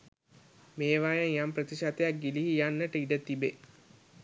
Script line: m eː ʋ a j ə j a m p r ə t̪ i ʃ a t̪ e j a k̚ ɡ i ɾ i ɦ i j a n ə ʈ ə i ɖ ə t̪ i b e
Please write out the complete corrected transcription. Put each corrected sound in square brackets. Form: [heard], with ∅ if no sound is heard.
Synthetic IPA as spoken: m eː ʋ a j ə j a m p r ə t̪ i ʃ a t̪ e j a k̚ ɡ i [l] i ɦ i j a [nː] ə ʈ ə i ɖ ə t̪ i b e